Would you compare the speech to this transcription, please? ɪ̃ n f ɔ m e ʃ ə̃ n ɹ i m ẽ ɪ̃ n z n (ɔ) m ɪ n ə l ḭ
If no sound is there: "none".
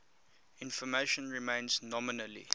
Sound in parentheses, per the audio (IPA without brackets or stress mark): ɔ